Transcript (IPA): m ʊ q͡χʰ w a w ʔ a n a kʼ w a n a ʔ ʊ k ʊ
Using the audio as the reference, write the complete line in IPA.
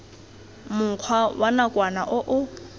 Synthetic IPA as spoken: m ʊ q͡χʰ w a w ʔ a n a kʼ w a n a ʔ ʊ ʔ ʊ